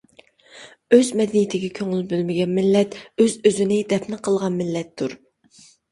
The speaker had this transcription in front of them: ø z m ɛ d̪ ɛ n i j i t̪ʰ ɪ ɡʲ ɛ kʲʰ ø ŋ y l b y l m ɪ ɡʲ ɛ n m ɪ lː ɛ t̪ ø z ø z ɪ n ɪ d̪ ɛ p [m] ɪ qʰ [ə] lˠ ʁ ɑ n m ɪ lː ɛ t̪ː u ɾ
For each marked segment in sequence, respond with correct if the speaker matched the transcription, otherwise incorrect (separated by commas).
incorrect, correct